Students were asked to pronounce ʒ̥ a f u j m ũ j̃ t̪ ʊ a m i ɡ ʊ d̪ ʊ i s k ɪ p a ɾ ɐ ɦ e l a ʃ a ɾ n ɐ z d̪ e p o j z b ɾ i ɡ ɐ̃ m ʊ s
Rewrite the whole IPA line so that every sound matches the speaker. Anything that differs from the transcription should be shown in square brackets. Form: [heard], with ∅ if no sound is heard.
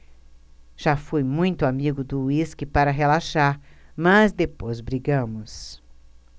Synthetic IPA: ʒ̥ a f u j m ũ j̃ t̪ ʊ a m i ɡ ʊ d̪ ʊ i s k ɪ p a ɾ ɐ ɦ e l a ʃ a ɾ [m] ɐ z d̪ e p o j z b ɾ i ɡ ɐ̃ m ʊ s

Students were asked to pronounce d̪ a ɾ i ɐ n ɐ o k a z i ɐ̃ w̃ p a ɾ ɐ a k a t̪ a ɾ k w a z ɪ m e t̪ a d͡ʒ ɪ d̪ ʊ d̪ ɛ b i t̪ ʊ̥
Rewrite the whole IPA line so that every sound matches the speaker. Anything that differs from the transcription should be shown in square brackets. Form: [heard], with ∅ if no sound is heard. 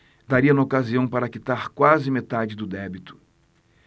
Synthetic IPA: d̪ a ɾ i ɐ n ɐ o k a z i ɐ̃ w̃ p a ɾ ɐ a k [i] t̪ a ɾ k w a z ɪ m e t̪ a d͡ʒ ɪ d̪ ʊ d̪ ɛ b i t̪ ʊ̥

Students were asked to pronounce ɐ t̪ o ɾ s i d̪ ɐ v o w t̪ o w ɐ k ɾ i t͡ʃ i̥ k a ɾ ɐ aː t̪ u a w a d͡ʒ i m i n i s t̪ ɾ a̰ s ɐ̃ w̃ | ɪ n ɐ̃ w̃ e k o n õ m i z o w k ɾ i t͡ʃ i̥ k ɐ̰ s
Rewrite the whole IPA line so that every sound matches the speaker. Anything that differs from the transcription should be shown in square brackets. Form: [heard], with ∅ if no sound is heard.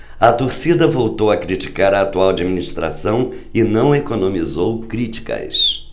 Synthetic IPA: ɐ t̪ o ɾ s i d̪ ɐ v o w t̪ o w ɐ k ɾ i t͡ʃ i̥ k a ɾ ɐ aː t̪ u a w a d͡ʒ i m i n i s t̪ ɾ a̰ s ɐ̃ w̃ | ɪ n ɐ̃ w̃ e k o n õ m i z o w k ɾ i t͡ʃ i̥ k ɐ̰ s

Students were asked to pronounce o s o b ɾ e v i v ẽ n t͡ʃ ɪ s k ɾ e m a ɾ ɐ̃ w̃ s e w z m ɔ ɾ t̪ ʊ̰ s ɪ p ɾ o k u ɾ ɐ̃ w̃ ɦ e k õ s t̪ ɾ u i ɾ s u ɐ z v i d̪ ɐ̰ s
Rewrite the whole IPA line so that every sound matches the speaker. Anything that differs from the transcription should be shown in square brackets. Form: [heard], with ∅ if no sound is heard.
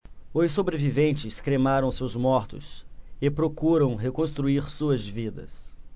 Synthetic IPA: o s o b ɾ e v i v ẽ n t͡ʃ ɪ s k ɾ e m a ɾ ɐ̃ w̃ s e w z m ɔ ɾ t̪ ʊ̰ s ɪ p ɾ o k u ɾ ɐ̃ w̃ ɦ e k õ s t̪ ɾ u i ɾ s u ɐ z v i d̪ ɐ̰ s

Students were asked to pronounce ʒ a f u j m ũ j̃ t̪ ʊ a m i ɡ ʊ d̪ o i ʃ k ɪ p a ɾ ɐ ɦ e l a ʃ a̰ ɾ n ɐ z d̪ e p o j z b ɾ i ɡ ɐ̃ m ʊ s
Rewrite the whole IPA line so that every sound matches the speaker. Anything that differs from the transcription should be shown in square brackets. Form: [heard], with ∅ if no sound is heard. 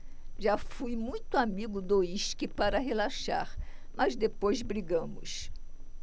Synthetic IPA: ʒ a f u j m ũ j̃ t̪ ʊ a m i ɡ ʊ d̪ o i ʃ k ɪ p a ɾ ɐ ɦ e l a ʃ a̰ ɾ [m] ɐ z d̪ e p o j z b ɾ i ɡ ɐ̃ m ʊ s

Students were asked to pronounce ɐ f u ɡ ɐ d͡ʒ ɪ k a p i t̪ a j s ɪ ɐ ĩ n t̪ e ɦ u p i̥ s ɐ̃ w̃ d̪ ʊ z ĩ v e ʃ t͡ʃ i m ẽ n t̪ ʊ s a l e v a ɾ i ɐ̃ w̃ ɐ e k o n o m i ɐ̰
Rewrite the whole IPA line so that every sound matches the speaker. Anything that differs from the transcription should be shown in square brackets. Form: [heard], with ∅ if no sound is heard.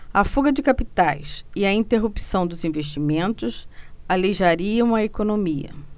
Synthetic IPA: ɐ f u ɡ ɐ d͡ʒ ɪ k a p i t̪ a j s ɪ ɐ ĩ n t̪ e ɦ u p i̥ s ɐ̃ w̃ d̪ ʊ z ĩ v e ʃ t͡ʃ i m ẽ n t̪ ʊ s a l e [ʒ] a ɾ i ɐ̃ w̃ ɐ e k o n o m i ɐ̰

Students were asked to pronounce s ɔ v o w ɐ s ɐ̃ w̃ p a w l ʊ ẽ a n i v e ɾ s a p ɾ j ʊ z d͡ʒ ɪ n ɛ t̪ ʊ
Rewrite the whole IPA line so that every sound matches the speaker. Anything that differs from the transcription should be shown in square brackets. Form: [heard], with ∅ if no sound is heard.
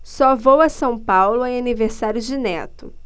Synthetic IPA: s ɔ v o w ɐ s ɐ̃ w̃ p a w l ʊ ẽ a n i v e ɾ s a [∅] ɾ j ʊ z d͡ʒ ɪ n ɛ t̪ ʊ

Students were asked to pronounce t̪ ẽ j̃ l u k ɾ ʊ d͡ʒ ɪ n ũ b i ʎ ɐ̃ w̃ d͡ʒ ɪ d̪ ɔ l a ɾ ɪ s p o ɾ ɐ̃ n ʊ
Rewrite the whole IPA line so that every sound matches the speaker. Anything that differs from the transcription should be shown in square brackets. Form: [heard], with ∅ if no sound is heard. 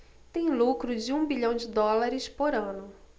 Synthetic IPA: t̪ ẽ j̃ l u k ɾ ʊ d͡ʒ ɪ [∅] ũ b i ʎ ɐ̃ w̃ d͡ʒ ɪ d̪ ɔ l a ɾ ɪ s p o ɾ ɐ̃ n ʊ

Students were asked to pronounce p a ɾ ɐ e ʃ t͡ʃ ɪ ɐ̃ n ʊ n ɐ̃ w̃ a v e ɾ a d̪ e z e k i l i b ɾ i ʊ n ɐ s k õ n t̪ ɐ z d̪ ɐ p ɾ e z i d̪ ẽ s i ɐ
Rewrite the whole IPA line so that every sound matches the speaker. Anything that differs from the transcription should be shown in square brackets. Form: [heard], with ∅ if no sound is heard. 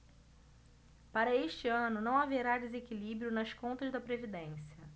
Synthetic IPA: p a ɾ ɐ e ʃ t͡ʃ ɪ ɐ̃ n ʊ n ɐ̃ w̃ a v e ɾ a d̪ e z e k i l i b ɾ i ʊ n ɐ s k õ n t̪ ɐ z d̪ ɐ p ɾ e [v] i d̪ ẽ s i ɐ

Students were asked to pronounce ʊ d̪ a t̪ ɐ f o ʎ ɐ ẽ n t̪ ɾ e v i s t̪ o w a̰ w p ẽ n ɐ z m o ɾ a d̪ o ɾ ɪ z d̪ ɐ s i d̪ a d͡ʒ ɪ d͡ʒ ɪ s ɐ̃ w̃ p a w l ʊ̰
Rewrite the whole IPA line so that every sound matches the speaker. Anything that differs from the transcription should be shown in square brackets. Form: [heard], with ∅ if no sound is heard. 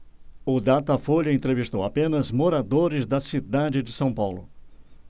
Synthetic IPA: ʊ d̪ a t̪ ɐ f o ʎ ɐ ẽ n t̪ ɾ e v i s t̪ o w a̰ [∅] p ẽ n ɐ z m o ɾ a d̪ o ɾ ɪ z d̪ ɐ s i d̪ a d͡ʒ ɪ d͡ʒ ɪ s ɐ̃ w̃ p a w l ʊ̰

